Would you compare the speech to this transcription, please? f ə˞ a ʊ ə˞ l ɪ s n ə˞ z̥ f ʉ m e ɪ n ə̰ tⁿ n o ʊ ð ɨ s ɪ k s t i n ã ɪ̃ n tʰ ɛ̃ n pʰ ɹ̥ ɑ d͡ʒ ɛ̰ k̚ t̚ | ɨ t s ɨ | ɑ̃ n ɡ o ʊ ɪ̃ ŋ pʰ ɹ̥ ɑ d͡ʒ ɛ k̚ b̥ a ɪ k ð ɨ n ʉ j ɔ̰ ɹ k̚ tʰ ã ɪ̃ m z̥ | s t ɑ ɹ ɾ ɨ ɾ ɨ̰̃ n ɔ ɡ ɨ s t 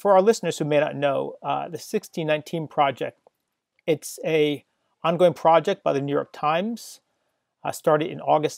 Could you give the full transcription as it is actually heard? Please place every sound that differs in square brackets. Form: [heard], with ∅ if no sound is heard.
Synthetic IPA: f ə˞ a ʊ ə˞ l ɪ s n ə˞ z̥ [h] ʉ m e ɪ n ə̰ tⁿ n o ʊ ð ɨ s ɪ k s t i n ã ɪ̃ n tʰ [ĩ] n pʰ ɹ̥ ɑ d͡ʒ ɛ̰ k̚ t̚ | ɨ t s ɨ | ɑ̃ n ɡ o ʊ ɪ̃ ŋ pʰ ɹ̥ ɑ d͡ʒ ɛ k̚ b̥ a ɪ [∅] ð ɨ n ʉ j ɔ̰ ɹ k̚ tʰ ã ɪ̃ m z̥ | s t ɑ ɹ ɾ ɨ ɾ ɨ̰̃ n ɔ ɡ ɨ s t